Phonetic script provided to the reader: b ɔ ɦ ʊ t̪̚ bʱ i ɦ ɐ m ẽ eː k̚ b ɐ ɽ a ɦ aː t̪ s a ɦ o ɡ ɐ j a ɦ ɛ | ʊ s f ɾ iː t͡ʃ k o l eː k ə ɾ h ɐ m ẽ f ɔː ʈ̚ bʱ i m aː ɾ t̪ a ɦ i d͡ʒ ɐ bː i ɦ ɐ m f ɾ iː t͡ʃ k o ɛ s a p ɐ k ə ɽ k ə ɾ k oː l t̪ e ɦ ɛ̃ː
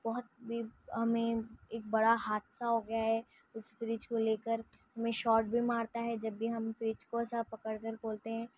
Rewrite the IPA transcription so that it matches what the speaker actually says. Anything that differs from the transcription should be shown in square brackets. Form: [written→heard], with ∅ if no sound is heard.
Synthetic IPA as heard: b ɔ ɦ ʊ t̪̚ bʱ i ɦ ɐ m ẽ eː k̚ b ɐ ɽ a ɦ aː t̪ s a ɦ o ɡ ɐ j a ɦ ɛ | ʊ s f ɾ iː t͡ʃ k o l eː k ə ɾ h ɐ m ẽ [f→ʃ] ɔː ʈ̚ bʱ i m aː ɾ t̪ a ɦ [i→ɛ] d͡ʒ ɐ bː i ɦ ɐ m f ɾ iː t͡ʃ k o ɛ s a p ɐ k ə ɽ k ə ɾ k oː l t̪ e ɦ ɛ̃ː